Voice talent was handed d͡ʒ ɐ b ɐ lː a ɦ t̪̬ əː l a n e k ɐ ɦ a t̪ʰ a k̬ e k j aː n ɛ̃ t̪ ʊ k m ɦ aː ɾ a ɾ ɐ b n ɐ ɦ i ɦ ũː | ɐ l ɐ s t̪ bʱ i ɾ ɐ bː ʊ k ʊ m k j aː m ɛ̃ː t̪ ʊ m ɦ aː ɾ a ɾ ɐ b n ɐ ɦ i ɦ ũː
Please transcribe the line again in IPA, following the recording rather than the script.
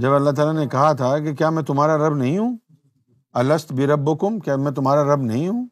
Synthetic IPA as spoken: d͡ʒ ɐ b ɐ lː a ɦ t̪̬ aː l a n e k ɐ ɦ a t̪ʰ a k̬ e k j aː m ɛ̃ t̪ ʊ m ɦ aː ɾ a ɾ ɐ b n ɐ ɦ ĩ ɦ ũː | ɐ l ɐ s t̪ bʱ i ɾ ɐ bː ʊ k ʊ m k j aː m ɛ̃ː t̪ ʊ m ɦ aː ɾ a ɾ ɐ b n ɐ ɦ ĩ ɦ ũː